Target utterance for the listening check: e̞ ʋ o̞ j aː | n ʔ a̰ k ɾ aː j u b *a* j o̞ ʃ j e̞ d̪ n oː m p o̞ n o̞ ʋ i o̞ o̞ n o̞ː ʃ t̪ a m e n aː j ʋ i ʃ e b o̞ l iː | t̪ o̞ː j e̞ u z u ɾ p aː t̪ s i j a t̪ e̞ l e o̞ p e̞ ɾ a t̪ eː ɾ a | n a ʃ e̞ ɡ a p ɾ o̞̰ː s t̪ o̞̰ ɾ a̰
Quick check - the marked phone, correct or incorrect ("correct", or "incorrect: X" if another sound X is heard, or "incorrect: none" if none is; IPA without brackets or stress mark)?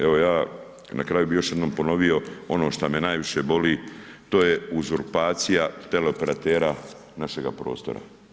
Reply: incorrect: i